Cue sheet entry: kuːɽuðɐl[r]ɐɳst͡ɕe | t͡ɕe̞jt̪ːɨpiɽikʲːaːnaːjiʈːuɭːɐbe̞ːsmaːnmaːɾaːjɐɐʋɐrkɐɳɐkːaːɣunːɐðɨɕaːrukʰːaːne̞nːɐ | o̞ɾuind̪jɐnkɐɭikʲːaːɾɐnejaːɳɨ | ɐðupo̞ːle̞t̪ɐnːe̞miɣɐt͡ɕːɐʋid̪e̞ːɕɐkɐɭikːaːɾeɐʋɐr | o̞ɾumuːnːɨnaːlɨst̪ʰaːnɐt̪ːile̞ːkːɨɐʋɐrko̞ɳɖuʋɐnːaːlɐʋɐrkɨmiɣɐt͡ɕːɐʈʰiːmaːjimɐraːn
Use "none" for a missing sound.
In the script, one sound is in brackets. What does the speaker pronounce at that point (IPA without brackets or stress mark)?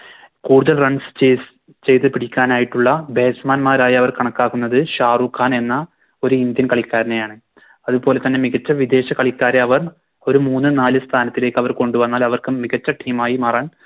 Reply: r